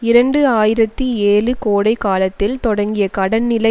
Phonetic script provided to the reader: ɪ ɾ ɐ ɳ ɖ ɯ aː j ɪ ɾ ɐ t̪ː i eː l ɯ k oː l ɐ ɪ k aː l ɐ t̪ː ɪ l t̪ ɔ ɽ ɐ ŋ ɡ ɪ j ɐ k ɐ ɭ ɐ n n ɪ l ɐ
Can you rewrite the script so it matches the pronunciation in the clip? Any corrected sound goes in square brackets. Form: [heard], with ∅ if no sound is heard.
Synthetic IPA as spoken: ɪ ɾ ɐ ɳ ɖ ɯ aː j ɪ ɾ ɐ t̪ː i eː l ɯ k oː [ɽ] ɐ ɪ k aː l ɐ t̪ː ɪ l t̪ ɔ ɽ ɐ ŋ ɡ ɪ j ɐ k ɐ [ɽ] ɐ n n ɪ l ɐ